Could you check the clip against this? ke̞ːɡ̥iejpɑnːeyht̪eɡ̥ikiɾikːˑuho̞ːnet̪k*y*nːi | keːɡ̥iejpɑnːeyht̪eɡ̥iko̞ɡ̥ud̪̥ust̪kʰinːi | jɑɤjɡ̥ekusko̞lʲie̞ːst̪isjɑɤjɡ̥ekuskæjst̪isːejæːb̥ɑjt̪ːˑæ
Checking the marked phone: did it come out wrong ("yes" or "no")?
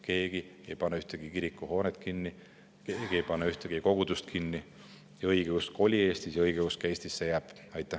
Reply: yes